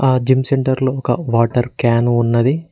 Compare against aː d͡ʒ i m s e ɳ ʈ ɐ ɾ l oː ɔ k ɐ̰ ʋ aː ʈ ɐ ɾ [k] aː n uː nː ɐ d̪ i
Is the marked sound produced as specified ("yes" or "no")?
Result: yes